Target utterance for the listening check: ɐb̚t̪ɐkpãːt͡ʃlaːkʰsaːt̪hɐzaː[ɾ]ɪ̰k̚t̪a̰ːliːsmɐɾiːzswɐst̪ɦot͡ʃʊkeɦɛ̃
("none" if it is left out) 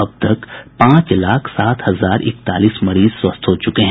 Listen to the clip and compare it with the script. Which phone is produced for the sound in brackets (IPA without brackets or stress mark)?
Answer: ɾ